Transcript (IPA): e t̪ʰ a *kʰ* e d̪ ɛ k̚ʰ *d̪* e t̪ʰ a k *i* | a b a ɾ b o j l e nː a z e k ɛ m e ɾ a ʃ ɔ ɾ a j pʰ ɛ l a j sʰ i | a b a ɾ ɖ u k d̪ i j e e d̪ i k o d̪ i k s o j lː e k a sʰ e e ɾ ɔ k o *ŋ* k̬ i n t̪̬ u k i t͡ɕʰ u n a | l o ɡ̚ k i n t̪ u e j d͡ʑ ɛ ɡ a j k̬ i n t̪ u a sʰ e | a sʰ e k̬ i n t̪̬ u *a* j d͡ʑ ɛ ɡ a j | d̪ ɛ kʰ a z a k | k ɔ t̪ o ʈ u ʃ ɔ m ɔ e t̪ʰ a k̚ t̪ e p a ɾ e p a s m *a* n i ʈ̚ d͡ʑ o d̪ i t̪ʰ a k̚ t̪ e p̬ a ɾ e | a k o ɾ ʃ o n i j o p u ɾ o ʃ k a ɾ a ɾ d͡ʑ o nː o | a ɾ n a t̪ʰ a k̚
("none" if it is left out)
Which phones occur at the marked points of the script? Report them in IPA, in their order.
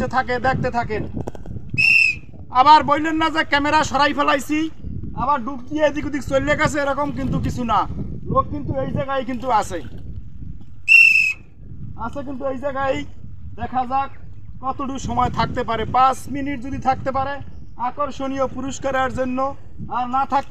k, t̪, e, m, e, i

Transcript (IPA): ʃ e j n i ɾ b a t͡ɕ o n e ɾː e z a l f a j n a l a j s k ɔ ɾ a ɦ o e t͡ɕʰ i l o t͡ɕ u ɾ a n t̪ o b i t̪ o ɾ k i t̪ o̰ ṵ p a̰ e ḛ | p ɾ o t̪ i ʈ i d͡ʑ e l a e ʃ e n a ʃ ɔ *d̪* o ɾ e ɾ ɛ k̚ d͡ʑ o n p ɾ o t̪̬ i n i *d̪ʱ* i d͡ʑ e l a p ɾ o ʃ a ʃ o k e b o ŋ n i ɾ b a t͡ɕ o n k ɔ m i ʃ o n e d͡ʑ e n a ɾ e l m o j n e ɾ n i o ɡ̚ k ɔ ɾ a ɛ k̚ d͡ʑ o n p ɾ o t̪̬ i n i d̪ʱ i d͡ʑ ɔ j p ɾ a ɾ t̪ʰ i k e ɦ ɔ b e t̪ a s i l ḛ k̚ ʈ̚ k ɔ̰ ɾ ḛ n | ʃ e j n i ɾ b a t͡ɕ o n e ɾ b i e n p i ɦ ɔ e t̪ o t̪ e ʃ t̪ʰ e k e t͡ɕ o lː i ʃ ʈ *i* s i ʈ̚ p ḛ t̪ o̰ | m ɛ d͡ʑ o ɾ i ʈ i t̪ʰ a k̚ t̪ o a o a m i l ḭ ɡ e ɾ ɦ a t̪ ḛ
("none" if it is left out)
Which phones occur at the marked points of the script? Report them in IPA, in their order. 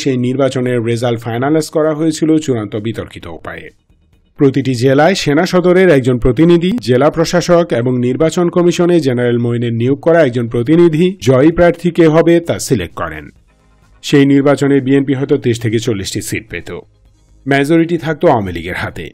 d̪, d̪ʱ, i

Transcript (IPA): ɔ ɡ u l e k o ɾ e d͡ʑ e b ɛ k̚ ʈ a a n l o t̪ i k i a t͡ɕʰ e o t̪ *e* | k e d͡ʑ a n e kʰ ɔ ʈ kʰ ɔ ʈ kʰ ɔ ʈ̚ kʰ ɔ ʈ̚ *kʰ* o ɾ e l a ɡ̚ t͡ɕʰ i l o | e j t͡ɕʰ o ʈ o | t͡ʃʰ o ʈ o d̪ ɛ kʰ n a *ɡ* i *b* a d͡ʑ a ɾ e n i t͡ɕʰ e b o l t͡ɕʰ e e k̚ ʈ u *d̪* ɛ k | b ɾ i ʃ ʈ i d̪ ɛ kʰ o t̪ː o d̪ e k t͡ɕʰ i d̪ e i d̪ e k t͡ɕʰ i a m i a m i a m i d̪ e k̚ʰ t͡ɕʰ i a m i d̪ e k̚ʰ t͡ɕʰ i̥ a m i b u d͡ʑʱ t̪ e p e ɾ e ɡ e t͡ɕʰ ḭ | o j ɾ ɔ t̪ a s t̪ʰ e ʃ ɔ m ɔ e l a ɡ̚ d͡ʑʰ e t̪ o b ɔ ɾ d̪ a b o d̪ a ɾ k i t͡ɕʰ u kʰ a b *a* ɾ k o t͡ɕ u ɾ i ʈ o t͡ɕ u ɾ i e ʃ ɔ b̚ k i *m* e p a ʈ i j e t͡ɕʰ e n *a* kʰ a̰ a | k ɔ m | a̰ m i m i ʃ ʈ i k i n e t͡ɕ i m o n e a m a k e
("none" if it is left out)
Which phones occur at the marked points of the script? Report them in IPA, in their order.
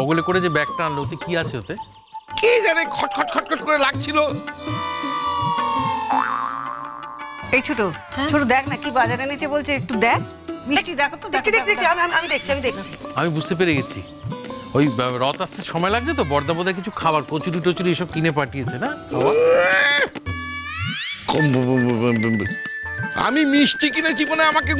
e, k, k, b, d̪, a, n, a

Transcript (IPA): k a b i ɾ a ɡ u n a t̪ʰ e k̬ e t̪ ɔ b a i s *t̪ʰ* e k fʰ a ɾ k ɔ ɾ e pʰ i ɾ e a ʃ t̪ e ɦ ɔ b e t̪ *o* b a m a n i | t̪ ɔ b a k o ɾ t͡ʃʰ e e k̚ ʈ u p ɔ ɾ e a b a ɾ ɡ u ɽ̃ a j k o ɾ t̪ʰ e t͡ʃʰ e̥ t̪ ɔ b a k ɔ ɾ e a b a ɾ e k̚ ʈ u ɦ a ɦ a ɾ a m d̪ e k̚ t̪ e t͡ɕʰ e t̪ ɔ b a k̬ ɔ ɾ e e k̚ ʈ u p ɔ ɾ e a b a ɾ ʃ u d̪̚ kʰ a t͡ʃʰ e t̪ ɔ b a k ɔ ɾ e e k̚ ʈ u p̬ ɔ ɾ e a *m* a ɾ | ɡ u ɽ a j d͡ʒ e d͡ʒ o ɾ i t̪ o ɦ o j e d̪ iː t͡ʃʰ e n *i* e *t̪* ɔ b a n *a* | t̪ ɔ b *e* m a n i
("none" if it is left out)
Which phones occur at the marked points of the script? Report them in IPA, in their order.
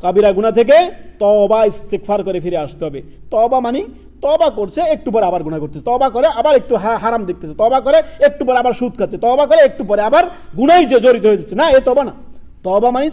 t̪, ɔ, b, a, t̪, a, a

